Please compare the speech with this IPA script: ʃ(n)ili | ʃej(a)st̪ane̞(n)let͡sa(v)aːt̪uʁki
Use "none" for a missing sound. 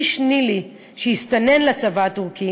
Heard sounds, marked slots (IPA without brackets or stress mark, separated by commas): n, i, n, v